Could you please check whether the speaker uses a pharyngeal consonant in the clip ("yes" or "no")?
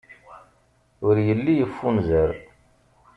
no